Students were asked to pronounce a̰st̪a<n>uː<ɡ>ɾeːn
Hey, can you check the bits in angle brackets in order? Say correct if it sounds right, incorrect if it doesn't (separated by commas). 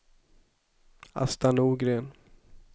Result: correct, correct